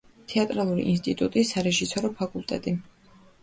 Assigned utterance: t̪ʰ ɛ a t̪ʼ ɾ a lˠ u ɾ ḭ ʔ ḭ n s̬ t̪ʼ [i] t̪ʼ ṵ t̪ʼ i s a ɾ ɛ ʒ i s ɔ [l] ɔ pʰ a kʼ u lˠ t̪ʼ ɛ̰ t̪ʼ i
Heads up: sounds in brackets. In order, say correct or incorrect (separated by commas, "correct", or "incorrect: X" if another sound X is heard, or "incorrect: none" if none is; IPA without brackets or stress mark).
correct, incorrect: ɾ